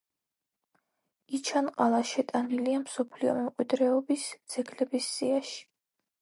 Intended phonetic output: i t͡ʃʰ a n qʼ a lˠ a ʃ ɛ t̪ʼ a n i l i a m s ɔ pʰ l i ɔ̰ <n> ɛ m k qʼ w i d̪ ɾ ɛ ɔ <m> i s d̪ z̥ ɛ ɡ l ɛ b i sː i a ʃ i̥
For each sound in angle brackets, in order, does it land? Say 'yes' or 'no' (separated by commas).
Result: no, no